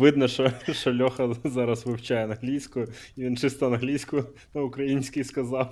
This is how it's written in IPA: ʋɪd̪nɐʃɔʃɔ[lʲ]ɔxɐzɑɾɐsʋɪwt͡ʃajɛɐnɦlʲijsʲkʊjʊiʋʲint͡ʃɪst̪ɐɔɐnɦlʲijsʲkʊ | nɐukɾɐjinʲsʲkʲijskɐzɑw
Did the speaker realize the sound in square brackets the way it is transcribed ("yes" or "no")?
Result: yes